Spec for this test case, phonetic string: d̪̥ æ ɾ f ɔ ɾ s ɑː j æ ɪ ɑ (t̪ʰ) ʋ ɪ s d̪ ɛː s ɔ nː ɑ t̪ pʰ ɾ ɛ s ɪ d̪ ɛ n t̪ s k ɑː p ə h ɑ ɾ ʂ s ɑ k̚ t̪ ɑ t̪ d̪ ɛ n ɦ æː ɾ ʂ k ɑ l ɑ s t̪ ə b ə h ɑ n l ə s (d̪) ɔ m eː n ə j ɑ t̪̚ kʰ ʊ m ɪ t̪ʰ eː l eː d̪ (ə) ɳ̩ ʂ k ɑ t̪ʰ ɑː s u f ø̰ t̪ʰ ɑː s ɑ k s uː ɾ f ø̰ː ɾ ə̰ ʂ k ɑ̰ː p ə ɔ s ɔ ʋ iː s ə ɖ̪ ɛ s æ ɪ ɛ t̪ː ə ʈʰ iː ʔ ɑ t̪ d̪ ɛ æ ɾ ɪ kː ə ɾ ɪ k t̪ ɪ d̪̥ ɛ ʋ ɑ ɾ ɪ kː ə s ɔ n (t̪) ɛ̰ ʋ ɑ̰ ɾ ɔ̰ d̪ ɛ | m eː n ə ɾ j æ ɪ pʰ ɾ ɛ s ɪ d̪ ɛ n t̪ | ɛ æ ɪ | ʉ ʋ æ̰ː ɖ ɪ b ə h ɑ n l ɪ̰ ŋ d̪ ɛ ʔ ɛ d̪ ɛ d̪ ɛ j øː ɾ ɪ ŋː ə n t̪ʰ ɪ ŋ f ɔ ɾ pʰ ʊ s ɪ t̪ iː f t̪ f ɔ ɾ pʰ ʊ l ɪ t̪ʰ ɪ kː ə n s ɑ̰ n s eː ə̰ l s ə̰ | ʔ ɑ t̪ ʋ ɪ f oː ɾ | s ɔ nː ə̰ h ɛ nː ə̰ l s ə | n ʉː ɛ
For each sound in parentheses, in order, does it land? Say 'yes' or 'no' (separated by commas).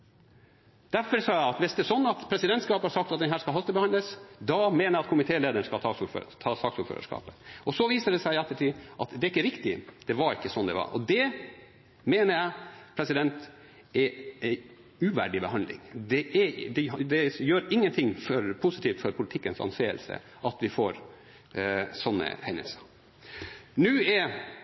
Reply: no, yes, yes, no